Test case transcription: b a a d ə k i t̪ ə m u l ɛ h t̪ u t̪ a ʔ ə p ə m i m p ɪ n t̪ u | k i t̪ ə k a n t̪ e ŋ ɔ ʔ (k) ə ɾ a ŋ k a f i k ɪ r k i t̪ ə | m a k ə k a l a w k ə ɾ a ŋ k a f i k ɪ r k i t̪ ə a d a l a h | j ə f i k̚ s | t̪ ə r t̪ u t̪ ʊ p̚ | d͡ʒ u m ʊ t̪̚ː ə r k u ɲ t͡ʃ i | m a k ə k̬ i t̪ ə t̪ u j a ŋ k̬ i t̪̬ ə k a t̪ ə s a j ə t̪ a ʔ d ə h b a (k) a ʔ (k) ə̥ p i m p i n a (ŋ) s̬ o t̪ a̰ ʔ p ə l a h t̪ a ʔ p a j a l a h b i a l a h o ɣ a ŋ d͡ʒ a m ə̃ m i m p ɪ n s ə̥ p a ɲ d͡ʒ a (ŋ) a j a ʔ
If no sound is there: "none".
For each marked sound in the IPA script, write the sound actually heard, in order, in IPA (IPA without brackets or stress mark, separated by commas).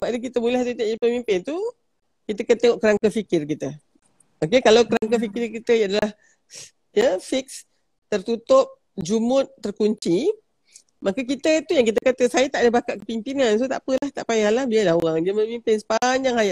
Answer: k, k, k, n, ŋ